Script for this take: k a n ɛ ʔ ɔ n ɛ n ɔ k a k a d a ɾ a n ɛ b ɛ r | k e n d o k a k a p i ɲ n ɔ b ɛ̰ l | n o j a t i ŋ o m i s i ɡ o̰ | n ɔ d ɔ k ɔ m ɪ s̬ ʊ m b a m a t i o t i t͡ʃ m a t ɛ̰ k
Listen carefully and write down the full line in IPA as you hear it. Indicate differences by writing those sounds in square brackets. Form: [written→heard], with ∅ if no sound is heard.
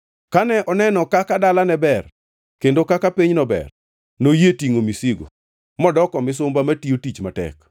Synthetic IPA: k a n ɛ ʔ ɔ n ɛ n ɔ k a k a d a [ɾ→l] a n ɛ b ɛ r | k e n d o k a k a p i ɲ n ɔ b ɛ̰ [l→r] | n o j [a→e] t i ŋ o m i s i ɡ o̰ | [n→m] ɔ d ɔ k ɔ m ɪ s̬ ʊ m b a m a t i o t i t͡ʃ m a t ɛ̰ k